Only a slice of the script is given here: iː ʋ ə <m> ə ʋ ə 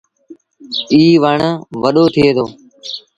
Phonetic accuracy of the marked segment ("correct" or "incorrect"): incorrect